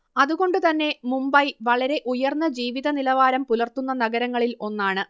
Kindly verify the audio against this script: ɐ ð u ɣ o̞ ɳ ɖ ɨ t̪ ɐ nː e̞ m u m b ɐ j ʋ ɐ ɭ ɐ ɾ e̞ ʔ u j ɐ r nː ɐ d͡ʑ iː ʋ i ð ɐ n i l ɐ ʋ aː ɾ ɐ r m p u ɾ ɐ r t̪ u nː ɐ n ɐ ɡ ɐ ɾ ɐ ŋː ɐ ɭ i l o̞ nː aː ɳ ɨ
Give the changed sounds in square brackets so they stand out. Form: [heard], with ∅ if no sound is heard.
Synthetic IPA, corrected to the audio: ɐ ð u ɣ o̞ ɳ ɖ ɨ t̪ ɐ nː e̞ m u m b ɐ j ʋ ɐ ɭ ɐ ɾ e̞ ʔ u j ɐ r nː ɐ d͡ʑ iː ʋ i ð ɐ n i l ɐ ʋ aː ɾ ɐ [∅] m p u [l] ɐ r t̪ u nː ɐ n ɐ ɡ ɐ ɾ ɐ ŋː ɐ ɭ i l o̞ nː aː ɳ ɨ